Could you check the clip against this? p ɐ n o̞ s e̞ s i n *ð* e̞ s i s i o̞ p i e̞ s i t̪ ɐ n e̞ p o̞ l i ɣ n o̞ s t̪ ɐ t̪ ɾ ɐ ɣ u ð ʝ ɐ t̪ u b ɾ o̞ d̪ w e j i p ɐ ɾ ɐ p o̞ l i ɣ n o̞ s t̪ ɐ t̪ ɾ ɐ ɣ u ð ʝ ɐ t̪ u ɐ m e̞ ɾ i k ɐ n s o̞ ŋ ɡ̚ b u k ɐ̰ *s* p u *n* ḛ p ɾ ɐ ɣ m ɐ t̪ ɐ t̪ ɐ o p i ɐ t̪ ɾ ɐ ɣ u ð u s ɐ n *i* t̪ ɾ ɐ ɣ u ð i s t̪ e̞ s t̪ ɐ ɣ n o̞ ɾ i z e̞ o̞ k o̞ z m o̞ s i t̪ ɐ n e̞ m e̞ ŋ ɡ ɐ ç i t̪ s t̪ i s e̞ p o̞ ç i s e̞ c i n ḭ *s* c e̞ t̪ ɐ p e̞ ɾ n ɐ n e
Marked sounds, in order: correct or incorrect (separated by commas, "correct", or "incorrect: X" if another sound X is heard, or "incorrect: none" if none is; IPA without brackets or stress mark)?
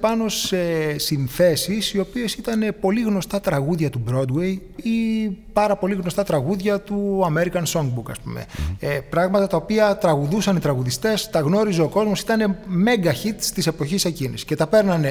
incorrect: θ, correct, incorrect: m, correct, correct